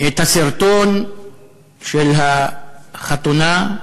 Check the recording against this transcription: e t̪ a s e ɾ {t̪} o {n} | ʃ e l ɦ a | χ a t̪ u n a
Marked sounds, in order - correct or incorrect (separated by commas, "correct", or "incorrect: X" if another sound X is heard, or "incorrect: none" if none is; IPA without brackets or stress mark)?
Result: correct, correct